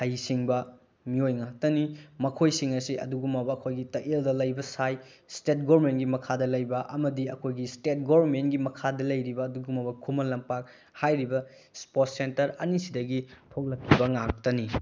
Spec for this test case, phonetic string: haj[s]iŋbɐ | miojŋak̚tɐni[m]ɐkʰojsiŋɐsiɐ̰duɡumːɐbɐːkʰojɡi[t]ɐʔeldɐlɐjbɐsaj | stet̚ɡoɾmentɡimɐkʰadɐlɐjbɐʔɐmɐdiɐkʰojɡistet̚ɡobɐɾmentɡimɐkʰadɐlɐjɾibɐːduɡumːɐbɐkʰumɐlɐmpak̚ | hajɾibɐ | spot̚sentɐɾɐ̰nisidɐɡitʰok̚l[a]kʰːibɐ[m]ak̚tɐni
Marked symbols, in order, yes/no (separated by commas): yes, yes, yes, no, no